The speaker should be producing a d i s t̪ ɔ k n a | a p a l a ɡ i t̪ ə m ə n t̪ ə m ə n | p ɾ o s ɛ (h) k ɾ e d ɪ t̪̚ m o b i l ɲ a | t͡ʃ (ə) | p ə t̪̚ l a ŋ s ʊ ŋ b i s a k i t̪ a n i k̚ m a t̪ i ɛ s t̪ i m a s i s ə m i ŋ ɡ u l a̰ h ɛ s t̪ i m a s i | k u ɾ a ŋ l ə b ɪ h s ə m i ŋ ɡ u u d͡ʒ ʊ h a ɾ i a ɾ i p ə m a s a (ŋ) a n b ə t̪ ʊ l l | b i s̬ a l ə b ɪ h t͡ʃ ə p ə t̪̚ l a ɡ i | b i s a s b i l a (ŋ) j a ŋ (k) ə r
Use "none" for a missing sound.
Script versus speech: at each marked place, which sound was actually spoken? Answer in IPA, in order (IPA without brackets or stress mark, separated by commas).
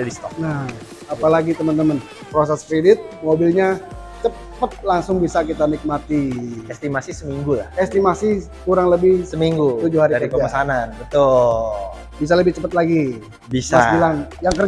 s, ə, n, ŋ, k